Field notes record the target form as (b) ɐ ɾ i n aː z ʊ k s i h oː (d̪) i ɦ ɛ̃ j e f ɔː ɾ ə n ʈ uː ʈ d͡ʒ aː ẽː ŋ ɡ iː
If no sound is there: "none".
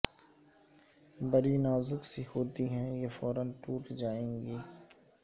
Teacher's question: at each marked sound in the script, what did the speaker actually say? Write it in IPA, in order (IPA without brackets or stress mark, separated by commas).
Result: b, t̪